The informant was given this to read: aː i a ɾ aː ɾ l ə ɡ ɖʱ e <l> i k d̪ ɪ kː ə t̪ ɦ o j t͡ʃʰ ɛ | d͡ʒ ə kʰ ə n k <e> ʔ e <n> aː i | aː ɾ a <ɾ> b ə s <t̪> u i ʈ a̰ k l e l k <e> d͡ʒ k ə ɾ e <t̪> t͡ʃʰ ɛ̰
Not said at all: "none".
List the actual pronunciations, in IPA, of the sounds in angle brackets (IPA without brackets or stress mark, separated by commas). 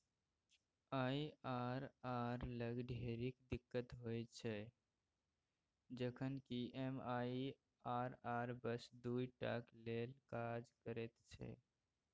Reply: ɾ, i, m, ɾ, d̪, a, t̪